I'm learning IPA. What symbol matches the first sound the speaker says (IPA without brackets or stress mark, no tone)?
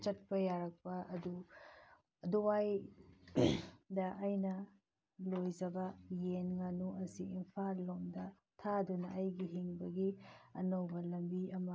t͡ʃ